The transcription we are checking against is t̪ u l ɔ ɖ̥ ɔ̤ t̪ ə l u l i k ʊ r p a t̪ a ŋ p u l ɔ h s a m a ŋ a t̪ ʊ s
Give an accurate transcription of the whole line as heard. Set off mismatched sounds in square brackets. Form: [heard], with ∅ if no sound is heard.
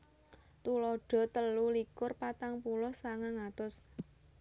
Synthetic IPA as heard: t̪ u l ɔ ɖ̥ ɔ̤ t̪ ə l u l i k ʊ r p a t̪ a ŋ p u l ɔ h s a [ŋ] a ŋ a t̪ ʊ s